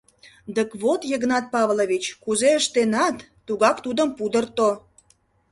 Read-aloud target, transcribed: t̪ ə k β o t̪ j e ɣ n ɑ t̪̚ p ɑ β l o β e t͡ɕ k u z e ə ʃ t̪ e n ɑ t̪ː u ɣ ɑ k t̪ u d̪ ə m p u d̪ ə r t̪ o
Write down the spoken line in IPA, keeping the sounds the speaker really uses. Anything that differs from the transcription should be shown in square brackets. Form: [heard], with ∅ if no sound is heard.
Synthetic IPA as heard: [d̪] ə k β o t̪ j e ɣ n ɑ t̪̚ p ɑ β l o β [i] t͡ɕ k u z e ə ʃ t̪ e n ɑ t̪ː u ɣ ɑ k t̪ u d̪ ə m p u d̪ ə r t̪ o